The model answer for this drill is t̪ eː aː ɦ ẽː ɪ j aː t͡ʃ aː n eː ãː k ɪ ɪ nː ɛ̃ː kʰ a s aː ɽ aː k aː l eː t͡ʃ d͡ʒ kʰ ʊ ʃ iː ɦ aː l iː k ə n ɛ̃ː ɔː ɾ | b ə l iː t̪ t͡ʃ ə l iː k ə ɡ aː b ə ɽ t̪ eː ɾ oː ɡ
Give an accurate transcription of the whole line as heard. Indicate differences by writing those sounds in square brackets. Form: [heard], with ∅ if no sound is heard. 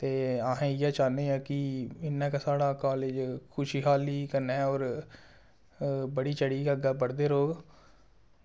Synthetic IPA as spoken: t̪ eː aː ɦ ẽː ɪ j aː t͡ʃ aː n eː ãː k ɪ ɪ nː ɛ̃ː [k] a s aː ɽ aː k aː l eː [∅] d͡ʒ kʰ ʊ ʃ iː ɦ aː l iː k ə n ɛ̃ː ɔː ɾ | b ə [ɽ] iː [∅] t͡ʃ ə [ɽ] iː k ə ɡ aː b ə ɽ [d̪] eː ɾ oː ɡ